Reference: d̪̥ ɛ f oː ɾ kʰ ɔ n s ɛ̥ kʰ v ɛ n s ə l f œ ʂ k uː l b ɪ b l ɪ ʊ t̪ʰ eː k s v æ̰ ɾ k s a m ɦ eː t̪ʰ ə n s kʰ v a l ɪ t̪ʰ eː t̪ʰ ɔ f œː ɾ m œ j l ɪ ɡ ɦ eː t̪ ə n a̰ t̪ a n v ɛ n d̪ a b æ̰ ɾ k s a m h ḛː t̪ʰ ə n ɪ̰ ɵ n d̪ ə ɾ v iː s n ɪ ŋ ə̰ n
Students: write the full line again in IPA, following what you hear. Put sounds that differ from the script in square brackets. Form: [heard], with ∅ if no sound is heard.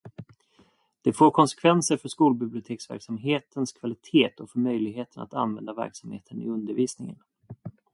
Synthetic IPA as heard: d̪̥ ɛ f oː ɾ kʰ ɔ n s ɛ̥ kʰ v ɛ n s ə [ɾ] f œ ʂ k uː l b ɪ b l ɪ ʊ t̪ʰ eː k s v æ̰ ɾ k s a m ɦ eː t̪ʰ ə n s kʰ v a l ɪ t̪ʰ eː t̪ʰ ɔ f [œ] ɾ m œ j l ɪ ɡ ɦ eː t̪ ə n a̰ t̪ a n v ɛ n d̪ a [v] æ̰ ɾ k s a m h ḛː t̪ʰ ə n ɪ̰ ɵ n d̪ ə ɾ v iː s n ɪ ŋ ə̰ n